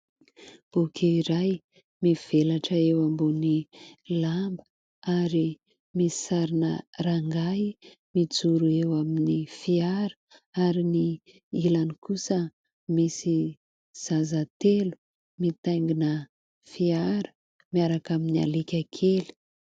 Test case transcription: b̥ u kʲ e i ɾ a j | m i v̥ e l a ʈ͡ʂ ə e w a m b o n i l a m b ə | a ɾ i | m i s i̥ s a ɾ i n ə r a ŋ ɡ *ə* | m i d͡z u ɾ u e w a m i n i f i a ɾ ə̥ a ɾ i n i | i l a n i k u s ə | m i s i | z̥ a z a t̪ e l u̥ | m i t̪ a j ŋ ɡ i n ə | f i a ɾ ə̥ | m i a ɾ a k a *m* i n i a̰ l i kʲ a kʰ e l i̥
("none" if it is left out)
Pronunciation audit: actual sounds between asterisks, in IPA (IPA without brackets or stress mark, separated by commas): a, m